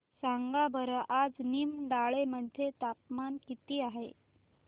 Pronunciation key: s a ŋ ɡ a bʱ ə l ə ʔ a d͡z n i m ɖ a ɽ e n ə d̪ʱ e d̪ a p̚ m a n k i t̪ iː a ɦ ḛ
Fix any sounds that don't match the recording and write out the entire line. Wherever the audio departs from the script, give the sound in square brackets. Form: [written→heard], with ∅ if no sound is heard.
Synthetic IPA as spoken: s a ŋ ɡ a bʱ ə [l→ɾ] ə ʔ a d͡z n i m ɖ a [ɽ→ɭ] e [n→m] ə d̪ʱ e [d̪→t̪] a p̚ m a n k i t̪ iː a ɦ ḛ